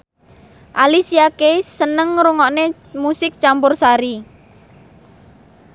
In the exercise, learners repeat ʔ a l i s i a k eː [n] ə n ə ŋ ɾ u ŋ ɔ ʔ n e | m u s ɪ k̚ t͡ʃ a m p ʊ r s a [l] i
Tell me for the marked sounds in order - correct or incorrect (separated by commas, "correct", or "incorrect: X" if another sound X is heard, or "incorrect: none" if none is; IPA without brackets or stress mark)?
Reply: incorrect: none, incorrect: ɾ